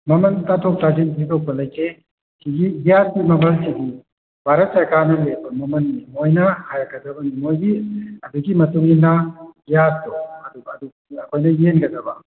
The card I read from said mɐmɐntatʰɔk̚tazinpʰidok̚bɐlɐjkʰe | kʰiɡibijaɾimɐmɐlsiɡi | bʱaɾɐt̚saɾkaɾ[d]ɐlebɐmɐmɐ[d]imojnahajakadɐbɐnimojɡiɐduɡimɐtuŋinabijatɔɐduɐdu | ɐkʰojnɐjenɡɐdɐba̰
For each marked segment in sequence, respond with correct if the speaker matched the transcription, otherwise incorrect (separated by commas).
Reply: incorrect, incorrect